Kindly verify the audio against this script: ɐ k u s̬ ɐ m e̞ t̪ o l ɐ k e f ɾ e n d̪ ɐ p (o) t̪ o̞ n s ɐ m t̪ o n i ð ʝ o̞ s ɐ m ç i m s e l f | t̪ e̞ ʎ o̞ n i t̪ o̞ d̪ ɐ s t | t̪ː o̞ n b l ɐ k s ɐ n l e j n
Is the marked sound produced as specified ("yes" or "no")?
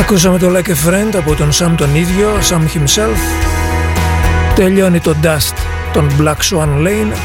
yes